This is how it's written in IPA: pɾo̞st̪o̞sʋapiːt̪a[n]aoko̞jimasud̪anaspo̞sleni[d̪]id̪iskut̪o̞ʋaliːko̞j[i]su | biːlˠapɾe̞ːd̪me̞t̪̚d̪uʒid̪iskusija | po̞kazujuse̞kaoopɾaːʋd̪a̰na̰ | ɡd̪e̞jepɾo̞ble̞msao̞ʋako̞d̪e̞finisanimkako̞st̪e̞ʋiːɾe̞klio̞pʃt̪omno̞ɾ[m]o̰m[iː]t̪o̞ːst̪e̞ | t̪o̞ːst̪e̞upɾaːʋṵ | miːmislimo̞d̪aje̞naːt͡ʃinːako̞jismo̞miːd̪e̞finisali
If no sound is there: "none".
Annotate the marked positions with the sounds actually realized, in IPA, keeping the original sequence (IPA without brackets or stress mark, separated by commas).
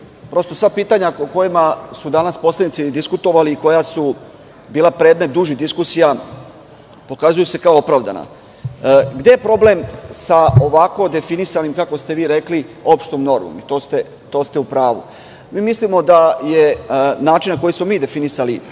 ɲ, t̪, a, m, i